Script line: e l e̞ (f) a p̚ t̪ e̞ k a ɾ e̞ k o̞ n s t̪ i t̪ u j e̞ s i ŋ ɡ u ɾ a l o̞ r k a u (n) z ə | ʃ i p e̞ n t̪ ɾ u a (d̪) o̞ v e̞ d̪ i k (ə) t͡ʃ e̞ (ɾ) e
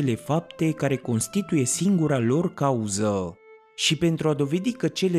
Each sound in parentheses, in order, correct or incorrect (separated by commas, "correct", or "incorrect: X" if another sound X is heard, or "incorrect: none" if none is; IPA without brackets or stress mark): correct, incorrect: none, correct, correct, incorrect: l